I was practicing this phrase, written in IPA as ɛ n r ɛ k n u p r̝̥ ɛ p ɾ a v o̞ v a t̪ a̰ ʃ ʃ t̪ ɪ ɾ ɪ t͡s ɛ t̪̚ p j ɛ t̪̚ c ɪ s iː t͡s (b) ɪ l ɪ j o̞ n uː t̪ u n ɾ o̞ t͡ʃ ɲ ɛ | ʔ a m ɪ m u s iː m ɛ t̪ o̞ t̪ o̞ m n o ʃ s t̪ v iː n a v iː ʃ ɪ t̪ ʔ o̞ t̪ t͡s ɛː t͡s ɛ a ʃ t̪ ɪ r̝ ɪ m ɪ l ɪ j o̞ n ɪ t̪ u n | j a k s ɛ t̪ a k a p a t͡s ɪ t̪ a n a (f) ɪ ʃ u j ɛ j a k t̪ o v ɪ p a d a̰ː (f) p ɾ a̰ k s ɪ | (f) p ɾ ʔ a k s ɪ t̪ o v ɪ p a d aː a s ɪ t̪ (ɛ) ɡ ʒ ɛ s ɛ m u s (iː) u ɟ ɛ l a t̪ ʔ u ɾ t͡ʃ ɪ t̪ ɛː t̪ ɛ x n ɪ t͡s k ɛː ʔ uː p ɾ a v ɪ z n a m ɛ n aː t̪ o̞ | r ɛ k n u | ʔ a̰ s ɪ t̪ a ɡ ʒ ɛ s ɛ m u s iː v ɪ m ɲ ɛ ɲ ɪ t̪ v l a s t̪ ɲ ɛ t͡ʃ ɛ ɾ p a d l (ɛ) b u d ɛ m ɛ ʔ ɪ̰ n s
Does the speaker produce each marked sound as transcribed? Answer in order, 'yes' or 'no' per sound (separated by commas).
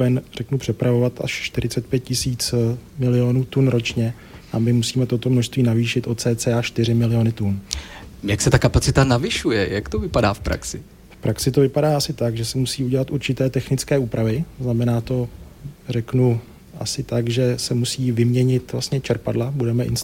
no, no, yes, yes, no, yes, no